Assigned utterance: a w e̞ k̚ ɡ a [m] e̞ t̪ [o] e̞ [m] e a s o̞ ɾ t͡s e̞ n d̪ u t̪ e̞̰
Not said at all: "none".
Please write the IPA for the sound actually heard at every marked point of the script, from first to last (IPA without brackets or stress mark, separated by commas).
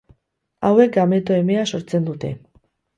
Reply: m, o, m